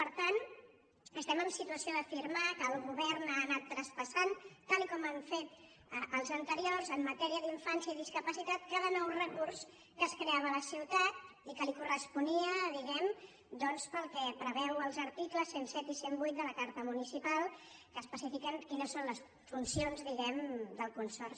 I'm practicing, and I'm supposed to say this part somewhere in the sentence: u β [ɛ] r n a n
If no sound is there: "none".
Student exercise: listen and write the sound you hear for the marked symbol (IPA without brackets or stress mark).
ɛ